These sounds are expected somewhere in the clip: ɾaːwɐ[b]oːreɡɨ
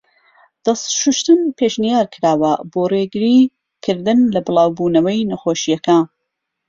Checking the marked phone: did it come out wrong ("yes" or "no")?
no